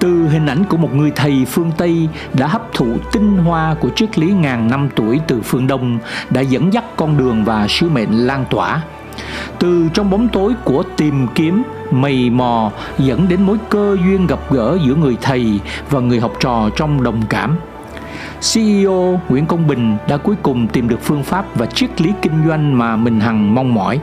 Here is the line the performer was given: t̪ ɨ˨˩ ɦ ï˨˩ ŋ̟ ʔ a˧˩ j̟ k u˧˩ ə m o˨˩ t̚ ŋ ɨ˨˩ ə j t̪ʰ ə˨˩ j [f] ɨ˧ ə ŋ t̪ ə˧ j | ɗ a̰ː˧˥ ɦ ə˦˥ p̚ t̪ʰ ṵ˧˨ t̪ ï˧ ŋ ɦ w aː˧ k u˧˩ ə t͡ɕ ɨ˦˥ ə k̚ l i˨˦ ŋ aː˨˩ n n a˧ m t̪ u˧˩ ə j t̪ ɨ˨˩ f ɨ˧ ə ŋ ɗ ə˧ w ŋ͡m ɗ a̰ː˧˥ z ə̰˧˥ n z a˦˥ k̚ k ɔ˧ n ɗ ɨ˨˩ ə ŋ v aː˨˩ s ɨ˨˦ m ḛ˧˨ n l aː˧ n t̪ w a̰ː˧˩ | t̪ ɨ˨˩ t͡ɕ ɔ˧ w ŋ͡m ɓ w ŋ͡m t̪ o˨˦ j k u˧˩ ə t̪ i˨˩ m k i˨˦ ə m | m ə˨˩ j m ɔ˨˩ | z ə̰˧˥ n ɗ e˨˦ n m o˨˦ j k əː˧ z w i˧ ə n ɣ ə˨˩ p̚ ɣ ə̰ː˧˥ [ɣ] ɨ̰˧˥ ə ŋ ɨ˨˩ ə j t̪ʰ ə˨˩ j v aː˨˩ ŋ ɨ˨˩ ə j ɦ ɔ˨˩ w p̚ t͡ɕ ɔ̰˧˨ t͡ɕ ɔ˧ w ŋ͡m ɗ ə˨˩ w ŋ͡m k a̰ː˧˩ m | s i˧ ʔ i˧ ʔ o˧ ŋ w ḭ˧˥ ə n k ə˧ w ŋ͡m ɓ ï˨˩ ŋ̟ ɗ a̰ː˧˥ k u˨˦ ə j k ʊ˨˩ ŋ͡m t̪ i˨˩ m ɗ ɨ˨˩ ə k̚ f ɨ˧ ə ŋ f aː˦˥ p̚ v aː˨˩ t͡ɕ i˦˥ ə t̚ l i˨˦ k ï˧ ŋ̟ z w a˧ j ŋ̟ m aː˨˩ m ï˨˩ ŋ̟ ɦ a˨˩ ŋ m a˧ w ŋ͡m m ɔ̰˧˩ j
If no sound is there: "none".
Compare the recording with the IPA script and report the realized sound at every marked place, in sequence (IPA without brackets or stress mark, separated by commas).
f, z